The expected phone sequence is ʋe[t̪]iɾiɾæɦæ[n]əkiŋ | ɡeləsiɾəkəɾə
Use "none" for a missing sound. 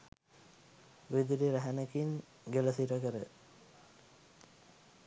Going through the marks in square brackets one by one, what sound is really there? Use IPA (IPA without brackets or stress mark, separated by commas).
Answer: d̪, n